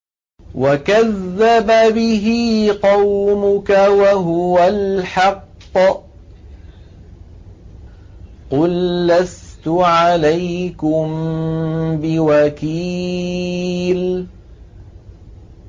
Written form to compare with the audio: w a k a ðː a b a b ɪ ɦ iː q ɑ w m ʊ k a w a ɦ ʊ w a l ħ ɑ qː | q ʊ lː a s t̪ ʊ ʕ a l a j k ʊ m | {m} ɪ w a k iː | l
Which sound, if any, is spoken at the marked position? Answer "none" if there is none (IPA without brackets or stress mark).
b